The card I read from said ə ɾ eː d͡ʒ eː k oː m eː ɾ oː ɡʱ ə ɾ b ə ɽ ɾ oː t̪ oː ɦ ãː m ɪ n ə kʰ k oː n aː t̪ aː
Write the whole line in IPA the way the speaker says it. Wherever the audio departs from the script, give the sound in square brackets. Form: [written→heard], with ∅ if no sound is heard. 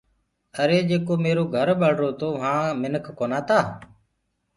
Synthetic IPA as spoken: ə ɾ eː d͡ʒ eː k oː m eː ɾ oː ɡʱ ə ɾ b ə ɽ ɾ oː t̪ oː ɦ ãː m ɪ n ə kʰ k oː n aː t̪ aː

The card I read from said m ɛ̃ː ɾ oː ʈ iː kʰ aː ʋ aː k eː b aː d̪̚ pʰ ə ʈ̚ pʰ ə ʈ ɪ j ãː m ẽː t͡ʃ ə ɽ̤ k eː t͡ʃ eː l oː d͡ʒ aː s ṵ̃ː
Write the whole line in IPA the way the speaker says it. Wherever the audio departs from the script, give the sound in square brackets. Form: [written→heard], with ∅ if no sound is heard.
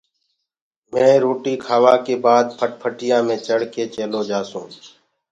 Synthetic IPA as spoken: m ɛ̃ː ɾ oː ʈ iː kʰ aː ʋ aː k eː b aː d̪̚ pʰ ə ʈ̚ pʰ ə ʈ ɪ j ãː m ẽː t͡ʃ ə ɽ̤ k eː t͡ʃ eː l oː d͡ʒ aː s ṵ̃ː

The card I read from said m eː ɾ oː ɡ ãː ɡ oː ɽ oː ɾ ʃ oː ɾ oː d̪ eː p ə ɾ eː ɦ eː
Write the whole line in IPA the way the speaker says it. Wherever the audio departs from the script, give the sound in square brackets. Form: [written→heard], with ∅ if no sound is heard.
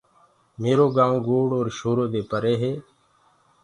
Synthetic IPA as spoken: m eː ɾ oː ɡ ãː ɡ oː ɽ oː ɾ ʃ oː ɾ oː d̪ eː p ə ɾ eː ɦ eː

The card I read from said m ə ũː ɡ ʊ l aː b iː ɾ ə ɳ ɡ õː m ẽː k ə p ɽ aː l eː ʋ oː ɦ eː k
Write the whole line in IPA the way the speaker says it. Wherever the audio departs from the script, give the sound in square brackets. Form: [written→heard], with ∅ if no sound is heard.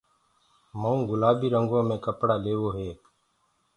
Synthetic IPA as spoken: m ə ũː ɡ ʊ l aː b iː ɾ ə [ɳ→ŋ] ɡ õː m ẽː k ə p ɽ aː l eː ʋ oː ɦ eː k

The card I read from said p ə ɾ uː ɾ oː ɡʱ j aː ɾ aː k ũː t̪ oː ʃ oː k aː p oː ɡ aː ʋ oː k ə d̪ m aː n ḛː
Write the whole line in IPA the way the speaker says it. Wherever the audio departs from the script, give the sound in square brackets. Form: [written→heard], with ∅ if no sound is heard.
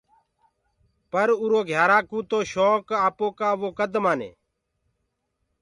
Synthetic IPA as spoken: p ə ɾ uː ɾ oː ɡʱ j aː ɾ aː k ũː t̪ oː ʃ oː k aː p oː [ɡ→k] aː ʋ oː k ə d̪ m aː n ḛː

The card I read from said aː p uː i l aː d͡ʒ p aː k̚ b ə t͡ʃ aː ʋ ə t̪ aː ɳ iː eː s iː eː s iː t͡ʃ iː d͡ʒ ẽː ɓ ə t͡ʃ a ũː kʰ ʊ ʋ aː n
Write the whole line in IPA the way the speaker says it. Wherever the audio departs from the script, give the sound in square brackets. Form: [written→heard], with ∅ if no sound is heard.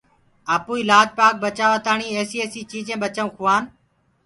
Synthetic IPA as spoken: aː p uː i l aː d͡ʒ p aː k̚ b ə t͡ʃ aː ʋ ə t̪ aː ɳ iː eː s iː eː s iː t͡ʃ iː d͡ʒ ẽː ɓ ə t͡ʃ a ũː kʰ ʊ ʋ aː n

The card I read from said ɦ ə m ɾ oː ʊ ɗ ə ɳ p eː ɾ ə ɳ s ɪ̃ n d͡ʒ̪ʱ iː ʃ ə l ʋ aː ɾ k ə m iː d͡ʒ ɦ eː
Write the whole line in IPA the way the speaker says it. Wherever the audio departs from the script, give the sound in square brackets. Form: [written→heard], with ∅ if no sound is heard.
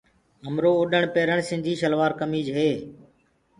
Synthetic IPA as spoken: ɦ ə m ɾ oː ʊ ɗ ə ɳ p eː ɾ ə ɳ s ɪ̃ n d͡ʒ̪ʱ iː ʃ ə l ʋ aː ɾ k ə m iː d͡ʒ ɦ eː

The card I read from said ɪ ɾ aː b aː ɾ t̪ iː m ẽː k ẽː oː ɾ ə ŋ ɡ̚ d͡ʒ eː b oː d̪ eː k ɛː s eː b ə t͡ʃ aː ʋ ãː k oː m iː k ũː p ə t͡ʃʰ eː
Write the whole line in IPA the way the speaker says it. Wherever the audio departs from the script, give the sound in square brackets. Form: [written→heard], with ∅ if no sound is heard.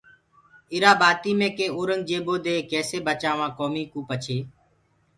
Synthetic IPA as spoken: ɪ ɾ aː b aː [ɾ→∅] t̪ iː m ẽː k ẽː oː ɾ ə ŋ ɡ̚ d͡ʒ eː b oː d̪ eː k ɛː s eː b ə t͡ʃ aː ʋ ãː k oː m iː k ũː p ə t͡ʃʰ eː

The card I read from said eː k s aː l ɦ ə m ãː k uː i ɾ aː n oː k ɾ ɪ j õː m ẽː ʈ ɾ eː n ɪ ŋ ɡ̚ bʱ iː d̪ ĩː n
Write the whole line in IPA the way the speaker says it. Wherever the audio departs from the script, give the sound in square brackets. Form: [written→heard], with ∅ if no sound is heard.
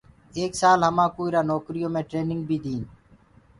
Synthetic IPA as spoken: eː k s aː l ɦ ə m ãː k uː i ɾ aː n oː k ɾ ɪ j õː m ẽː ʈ ɾ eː n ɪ ŋ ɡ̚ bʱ iː d̪ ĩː n

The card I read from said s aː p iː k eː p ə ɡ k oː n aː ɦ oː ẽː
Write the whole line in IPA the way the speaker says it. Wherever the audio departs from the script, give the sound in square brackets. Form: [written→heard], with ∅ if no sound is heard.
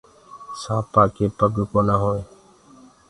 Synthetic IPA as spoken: s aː p [iː→aː] k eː p ə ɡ k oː n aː ɦ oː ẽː

